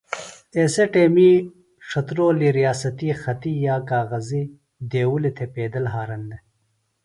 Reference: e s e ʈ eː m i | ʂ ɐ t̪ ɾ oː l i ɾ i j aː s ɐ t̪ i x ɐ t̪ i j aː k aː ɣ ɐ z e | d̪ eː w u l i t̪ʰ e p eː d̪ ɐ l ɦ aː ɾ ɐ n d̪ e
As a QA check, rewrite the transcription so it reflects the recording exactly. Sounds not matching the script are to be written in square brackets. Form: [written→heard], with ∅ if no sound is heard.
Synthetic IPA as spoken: e s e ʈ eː m i | ʂ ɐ t̪ ɾ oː l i ɾ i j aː s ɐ t̪ i x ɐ t̪ i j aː k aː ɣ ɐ z [e→i] | d̪ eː w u l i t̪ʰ e p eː d̪ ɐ l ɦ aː ɾ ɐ n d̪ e